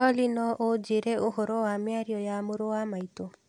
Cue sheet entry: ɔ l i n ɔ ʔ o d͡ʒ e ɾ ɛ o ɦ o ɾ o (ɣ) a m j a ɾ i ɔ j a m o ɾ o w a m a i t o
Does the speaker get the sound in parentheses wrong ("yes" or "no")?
yes